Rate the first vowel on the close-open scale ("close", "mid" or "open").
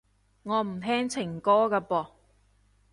mid